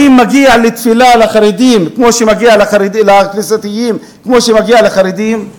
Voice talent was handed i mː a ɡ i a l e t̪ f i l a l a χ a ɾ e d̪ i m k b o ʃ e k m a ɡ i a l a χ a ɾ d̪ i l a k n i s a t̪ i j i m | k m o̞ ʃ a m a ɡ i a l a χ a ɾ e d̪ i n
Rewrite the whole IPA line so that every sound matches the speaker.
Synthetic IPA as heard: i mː a ɡ i a l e t̪ f i l a l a χ a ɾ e d̪ i m k m o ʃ e m a ɡ i a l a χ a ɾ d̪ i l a k n i s a t̪ i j i m | k m o̞ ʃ e m a ɡ i a l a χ a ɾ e d̪ i m